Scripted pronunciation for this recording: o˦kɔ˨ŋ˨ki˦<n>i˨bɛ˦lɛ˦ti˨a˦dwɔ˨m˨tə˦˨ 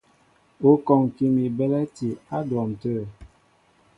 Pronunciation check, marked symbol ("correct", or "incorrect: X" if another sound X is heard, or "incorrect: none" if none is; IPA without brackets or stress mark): incorrect: m